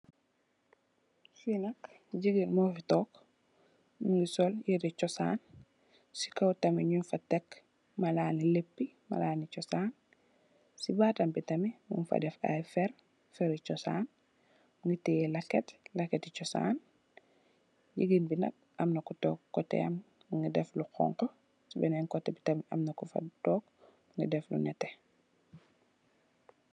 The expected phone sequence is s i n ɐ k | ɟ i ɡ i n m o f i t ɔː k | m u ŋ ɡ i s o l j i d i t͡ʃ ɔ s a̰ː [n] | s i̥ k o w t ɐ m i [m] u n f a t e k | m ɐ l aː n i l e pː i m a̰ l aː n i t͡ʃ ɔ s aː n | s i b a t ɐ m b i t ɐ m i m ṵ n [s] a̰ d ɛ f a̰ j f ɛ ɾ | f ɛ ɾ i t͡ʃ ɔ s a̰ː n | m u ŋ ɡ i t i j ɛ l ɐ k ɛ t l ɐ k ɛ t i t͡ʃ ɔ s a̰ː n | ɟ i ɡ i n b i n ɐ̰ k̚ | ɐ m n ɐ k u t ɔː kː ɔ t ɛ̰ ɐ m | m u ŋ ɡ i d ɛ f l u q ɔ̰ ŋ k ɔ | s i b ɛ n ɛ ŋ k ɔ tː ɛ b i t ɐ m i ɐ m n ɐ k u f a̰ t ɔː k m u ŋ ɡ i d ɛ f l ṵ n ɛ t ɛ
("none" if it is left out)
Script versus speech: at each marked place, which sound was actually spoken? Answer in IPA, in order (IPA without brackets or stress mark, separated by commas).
n, ɲ, f